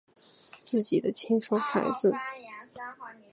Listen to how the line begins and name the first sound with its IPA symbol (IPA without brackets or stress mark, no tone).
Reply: t͡s